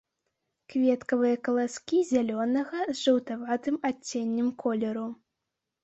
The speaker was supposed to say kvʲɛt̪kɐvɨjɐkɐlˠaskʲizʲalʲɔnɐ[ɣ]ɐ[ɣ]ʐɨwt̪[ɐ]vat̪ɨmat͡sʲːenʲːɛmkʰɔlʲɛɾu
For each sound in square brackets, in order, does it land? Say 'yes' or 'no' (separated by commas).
yes, no, no